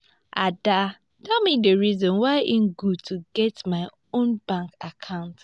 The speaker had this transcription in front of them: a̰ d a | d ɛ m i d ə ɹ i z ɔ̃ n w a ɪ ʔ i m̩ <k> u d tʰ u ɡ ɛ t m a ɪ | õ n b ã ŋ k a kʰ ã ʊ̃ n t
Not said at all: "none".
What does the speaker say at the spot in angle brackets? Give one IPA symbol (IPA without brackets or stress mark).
ɡ